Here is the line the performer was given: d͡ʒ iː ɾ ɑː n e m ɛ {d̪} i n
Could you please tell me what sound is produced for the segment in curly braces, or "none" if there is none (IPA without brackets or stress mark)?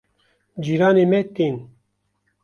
t̪